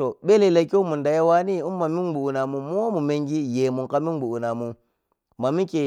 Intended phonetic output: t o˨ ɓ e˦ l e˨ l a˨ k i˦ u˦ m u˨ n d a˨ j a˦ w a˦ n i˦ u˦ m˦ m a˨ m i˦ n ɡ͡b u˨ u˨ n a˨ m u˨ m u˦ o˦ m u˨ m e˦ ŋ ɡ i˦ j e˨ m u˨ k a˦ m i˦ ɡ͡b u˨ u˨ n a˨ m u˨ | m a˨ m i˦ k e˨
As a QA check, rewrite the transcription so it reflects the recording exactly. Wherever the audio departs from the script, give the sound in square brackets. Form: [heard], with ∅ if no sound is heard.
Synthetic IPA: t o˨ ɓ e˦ l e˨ l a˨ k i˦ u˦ m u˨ n d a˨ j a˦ w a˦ n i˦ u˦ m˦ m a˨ m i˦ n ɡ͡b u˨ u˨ n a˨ m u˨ m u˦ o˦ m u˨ m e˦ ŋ ɡ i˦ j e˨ m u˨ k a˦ m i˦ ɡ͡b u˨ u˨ n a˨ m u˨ | m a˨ m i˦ k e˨